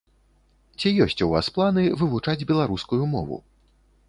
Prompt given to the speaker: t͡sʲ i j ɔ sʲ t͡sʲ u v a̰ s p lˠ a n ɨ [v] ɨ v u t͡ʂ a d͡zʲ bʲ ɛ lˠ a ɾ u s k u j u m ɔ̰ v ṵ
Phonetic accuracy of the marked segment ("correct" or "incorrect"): correct